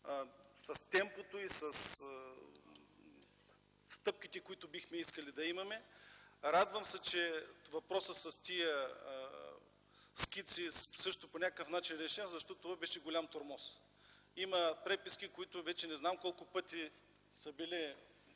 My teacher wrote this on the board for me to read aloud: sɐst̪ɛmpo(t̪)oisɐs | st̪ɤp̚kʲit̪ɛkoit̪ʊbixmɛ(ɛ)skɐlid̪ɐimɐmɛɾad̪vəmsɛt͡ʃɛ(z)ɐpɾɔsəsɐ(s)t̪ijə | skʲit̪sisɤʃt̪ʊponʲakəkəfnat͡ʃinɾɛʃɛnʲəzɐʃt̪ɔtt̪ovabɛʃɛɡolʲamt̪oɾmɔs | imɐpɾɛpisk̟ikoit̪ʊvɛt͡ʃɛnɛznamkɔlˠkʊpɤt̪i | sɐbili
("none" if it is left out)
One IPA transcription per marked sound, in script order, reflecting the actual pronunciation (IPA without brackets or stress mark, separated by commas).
t̪, i, v, s